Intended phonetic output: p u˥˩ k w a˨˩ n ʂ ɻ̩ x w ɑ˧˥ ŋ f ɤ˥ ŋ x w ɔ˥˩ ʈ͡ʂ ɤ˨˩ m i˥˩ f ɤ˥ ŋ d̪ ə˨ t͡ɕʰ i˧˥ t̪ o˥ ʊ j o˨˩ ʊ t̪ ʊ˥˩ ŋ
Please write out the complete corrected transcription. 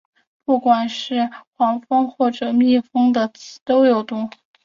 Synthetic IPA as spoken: p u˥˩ k w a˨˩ n ʂ ɻ̩ x w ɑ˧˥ ŋ f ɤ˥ ŋ x w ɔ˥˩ ʈ͡ʂ ɤ˨˩ m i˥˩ f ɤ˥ ŋ d̪ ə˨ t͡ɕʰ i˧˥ t̪ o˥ ʊ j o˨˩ ʊ t̪ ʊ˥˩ ŋ